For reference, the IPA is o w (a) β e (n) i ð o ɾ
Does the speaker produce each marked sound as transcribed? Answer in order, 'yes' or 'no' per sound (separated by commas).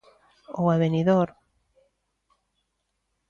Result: yes, yes